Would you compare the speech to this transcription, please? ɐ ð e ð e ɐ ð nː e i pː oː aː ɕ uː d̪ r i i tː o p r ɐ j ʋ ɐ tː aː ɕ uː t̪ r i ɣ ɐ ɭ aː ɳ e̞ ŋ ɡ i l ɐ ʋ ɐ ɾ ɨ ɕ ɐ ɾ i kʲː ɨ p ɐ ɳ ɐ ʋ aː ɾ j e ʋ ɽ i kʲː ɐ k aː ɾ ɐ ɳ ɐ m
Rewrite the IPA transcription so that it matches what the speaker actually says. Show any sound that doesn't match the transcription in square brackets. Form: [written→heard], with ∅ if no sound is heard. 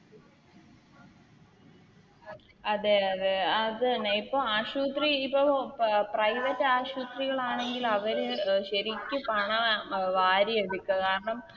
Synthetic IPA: ɐ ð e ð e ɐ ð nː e i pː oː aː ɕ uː [d̪→t̪] r i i [tː→pː] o p r ɐ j ʋ ɐ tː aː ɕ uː t̪ r i ɣ ɐ ɭ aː ɳ e̞ ŋ ɡ i l ɐ ʋ ɐ ɾ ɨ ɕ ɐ ɾ i kʲː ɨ p ɐ ɳ ɐ ʋ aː ɾ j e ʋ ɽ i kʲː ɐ k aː ɾ ɐ ɳ ɐ m